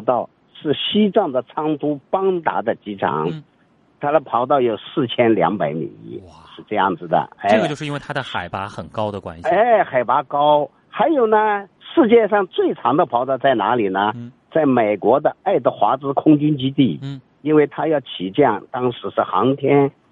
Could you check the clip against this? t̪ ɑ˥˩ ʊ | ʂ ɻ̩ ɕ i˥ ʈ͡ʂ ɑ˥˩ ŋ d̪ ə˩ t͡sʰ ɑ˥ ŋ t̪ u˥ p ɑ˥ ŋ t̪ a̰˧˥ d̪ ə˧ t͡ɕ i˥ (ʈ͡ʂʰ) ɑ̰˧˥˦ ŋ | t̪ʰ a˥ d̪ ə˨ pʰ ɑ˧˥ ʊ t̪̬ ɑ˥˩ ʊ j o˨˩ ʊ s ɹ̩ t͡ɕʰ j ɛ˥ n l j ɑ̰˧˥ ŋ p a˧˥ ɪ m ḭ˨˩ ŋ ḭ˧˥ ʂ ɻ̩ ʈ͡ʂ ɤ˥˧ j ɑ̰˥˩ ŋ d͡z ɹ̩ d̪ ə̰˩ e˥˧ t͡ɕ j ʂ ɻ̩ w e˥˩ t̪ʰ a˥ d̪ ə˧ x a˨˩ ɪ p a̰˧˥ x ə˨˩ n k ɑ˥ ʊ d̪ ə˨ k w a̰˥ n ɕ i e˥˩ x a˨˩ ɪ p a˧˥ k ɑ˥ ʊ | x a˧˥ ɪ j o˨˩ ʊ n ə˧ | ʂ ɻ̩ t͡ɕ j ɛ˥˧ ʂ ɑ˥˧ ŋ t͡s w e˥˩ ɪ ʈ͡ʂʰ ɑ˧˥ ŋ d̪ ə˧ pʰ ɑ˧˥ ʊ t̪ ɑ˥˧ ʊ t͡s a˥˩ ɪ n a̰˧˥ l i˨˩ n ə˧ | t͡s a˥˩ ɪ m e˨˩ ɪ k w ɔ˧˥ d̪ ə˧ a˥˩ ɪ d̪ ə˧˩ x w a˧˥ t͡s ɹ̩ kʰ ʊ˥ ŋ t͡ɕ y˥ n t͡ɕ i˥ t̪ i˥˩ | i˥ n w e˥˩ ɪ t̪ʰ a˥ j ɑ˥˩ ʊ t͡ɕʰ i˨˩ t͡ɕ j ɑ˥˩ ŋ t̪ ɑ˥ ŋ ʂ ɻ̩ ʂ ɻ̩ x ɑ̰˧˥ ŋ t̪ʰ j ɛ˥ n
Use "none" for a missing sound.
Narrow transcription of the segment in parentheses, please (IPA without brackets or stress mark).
ʈ͡ʂʰ